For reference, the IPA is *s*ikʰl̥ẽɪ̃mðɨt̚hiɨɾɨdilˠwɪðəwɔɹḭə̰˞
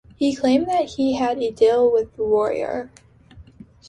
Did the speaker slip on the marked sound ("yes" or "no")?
yes